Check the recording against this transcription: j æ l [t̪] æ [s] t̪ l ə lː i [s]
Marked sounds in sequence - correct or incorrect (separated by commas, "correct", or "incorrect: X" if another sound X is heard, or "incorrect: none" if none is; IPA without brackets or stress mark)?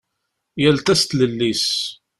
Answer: correct, correct, correct